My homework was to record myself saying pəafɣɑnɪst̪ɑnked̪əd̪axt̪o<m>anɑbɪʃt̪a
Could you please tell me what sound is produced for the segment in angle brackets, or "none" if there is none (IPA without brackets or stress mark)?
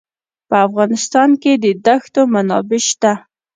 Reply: m